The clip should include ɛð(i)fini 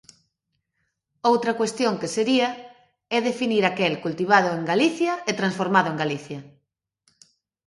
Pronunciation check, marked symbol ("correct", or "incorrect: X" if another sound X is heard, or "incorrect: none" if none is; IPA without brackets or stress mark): incorrect: e